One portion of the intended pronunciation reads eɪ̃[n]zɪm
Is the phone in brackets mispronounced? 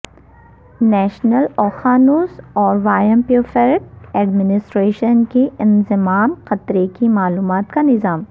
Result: no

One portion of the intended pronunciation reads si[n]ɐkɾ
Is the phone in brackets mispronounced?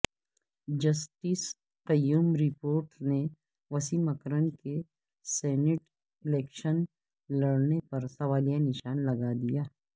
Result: yes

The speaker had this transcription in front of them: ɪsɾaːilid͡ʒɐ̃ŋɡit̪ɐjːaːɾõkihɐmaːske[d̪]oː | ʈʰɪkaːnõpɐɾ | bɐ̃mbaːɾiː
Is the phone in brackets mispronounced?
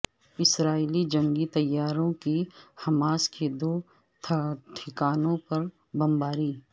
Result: no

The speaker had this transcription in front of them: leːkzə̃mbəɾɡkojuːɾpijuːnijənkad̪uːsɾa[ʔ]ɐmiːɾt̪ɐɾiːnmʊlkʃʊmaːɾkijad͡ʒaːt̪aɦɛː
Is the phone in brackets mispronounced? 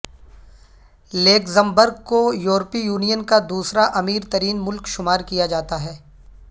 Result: no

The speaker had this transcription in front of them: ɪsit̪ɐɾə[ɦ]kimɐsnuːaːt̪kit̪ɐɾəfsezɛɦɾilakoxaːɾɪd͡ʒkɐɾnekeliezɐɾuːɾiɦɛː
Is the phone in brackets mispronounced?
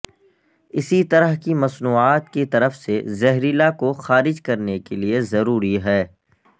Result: no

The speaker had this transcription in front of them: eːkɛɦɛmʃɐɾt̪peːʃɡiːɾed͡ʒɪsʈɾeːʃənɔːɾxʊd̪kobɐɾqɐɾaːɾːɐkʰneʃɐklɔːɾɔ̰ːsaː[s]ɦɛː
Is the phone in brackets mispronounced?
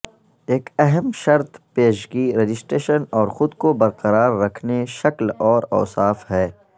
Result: yes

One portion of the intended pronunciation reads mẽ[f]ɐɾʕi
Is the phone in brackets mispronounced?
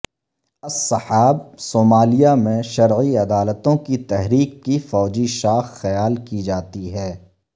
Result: yes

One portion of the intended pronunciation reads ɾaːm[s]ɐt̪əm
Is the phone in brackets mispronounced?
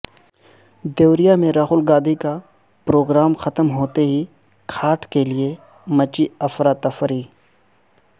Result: yes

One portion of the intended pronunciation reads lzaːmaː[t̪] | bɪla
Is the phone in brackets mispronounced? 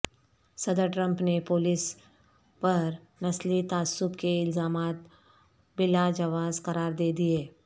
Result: no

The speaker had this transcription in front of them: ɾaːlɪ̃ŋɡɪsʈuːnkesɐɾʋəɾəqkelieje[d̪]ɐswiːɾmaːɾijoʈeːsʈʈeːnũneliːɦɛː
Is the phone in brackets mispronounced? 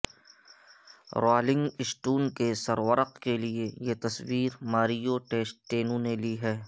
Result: yes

